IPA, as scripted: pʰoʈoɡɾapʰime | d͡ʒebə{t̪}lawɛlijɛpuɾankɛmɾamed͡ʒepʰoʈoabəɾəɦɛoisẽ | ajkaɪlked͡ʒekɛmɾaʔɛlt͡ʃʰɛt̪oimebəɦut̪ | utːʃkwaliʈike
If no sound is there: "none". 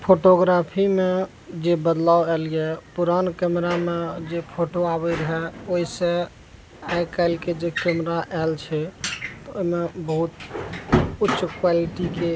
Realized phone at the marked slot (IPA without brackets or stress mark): d̪